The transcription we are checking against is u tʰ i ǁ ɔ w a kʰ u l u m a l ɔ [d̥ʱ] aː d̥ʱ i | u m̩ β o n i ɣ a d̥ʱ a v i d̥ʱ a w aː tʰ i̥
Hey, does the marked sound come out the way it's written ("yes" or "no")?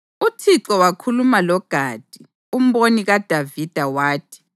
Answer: no